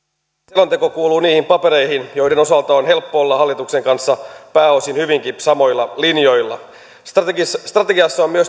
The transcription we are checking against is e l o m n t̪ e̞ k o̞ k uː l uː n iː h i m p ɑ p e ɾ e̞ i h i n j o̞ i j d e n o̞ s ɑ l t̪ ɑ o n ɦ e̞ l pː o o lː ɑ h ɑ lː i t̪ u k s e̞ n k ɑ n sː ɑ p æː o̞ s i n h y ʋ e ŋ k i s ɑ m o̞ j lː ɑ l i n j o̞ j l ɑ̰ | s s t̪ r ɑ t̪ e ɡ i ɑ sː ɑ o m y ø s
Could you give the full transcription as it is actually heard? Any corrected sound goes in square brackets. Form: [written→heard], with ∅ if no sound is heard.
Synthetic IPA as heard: e l o [m→∅] n t̪ e̞ k o̞ k uː l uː n iː h i m p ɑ p e ɾ e̞ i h i n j o̞ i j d e n o̞ s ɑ l t̪ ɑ o n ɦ e̞ l pː o o lː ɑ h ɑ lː i t̪ u k s e̞ [n→ŋ] k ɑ n sː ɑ p æː o̞ s i n h y ʋ [e→i] ŋ k i s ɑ m o̞ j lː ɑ l i n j o̞ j [l→lː] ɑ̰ | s s t̪ r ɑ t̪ e ɡ i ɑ sː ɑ o m y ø s